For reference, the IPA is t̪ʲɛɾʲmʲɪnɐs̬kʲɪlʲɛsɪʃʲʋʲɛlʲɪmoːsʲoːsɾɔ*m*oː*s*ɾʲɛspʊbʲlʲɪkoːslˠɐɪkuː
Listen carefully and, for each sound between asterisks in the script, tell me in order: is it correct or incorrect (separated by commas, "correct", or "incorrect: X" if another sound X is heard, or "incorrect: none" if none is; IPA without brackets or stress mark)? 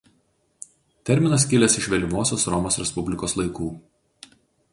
correct, correct